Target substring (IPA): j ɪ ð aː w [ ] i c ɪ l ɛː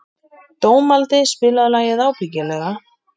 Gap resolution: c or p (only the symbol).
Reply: p